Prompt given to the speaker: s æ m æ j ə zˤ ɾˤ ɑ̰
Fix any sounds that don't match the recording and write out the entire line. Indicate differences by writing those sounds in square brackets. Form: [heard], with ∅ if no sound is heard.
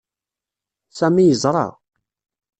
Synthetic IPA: s æ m [i] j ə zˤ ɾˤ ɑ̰

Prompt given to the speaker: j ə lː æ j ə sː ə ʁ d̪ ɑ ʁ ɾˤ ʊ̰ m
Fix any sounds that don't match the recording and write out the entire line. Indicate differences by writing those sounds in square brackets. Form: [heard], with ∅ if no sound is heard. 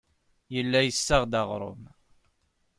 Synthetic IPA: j ə lː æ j ə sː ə ʁ d̪ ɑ ʁ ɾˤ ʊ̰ m

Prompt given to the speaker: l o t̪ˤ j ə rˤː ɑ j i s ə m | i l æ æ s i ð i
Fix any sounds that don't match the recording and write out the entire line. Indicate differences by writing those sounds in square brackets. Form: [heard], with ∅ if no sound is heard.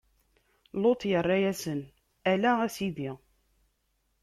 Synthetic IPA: l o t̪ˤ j ə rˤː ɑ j [æ] s ə [n] | [æ] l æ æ s i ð i

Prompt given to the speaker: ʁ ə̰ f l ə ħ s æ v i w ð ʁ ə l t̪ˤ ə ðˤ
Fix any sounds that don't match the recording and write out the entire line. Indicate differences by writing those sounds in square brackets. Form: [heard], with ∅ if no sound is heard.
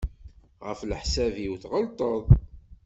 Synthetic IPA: ʁ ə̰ f l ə ħ s æ v i w [θ] ʁ ə l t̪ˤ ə ðˤ

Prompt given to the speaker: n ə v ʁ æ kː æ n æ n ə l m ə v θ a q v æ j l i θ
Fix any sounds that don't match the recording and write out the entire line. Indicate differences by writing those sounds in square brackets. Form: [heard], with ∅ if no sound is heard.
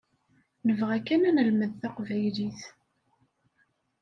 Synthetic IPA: n ə v ʁ æ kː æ n æ n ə l m ə [ð] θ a q v æ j l i θ

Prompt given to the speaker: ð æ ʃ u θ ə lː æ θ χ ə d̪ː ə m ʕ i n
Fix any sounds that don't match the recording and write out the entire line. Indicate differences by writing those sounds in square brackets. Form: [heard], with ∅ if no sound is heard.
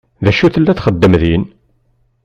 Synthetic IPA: ð æ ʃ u θ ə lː æ θ χ ə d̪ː ə m [ð] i n

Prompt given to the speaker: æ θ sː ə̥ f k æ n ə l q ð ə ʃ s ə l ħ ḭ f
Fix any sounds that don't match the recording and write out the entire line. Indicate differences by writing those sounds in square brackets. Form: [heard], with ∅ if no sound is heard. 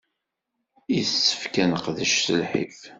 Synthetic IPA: [i] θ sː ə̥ f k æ n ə [∅] q ð ə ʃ s ə l ħ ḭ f

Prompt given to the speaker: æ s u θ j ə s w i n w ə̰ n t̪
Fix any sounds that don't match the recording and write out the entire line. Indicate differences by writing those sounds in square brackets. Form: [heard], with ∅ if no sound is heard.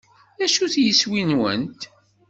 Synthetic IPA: æ [ʃ] u θ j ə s w i n w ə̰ n t̪

